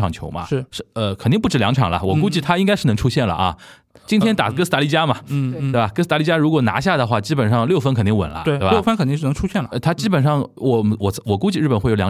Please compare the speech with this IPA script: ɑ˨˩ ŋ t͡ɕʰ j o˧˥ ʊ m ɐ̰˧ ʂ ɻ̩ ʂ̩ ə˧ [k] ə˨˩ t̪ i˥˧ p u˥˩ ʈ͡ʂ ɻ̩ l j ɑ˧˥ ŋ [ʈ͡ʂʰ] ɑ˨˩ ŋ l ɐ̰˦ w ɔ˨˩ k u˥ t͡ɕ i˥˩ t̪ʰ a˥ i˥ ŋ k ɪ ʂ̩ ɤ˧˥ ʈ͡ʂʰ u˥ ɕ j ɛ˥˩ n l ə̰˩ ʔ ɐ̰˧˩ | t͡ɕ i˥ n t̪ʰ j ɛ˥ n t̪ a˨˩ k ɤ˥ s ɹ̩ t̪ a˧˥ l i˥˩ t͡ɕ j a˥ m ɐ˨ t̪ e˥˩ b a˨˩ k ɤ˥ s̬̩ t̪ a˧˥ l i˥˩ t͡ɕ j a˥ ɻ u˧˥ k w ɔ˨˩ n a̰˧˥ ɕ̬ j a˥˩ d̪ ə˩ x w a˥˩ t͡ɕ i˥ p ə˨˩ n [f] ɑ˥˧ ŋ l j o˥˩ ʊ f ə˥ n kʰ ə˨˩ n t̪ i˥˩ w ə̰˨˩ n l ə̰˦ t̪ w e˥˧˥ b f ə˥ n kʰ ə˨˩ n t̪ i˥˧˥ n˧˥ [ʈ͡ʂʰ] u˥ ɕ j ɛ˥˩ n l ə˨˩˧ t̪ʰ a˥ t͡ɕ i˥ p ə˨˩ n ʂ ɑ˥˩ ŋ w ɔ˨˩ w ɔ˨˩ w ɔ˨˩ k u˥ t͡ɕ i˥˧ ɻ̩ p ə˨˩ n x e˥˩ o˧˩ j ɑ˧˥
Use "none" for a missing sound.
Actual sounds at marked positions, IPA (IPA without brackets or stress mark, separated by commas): kʰ, ʈ͡ʂʰ, ʂ, ʈ͡ʂʰ